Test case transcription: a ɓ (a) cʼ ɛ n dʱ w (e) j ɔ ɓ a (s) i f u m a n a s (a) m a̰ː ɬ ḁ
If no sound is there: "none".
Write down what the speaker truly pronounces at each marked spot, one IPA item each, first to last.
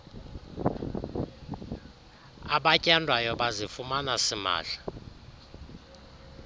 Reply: a, a, z, i

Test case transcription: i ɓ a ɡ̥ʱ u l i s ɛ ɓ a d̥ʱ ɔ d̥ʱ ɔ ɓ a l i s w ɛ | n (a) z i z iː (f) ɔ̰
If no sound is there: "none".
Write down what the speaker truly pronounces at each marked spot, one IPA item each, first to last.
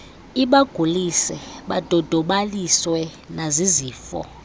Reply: a, f

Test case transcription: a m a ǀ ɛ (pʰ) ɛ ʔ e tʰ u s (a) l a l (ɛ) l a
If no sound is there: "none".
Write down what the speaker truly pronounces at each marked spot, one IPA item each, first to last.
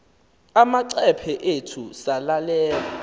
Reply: pʰ, a, ɛː

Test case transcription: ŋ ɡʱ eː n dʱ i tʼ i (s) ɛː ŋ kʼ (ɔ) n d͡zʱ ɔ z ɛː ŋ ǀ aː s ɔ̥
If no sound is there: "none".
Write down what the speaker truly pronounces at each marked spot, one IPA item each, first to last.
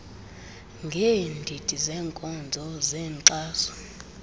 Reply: z, ɔ

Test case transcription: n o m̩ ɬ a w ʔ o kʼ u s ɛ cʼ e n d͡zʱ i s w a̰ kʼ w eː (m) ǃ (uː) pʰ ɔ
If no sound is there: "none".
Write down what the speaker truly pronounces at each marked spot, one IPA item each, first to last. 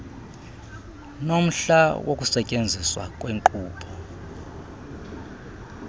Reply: ŋ, uː

